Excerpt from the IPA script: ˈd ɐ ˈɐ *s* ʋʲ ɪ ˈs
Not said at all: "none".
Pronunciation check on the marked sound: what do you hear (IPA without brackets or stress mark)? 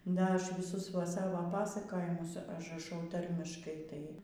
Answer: ʃ